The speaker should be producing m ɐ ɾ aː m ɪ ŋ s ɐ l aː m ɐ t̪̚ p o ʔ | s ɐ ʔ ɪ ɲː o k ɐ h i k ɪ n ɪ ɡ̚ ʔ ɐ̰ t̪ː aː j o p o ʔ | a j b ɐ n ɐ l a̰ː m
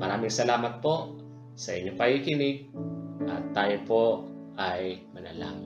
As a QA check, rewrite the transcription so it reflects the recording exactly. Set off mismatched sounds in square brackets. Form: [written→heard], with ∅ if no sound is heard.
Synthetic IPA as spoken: m ɐ ɾ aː m ɪ ŋ s ɐ l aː m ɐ t̪̚ p o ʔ | s ɐ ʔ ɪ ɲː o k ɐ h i k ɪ n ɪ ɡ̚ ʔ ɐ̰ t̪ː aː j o p o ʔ | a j [b→m] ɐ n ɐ l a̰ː m